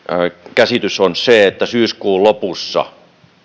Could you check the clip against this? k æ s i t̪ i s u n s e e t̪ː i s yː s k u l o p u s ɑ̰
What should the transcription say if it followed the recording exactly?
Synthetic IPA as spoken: k æ s i t̪ y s o n s e e t̪ː æ s yː s k uː l o p u sː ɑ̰